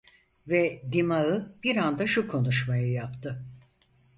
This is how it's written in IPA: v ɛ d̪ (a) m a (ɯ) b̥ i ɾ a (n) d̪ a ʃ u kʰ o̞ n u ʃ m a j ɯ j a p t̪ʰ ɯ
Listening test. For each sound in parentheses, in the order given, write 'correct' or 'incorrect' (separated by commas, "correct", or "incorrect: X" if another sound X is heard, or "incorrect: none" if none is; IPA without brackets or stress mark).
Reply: incorrect: i, correct, correct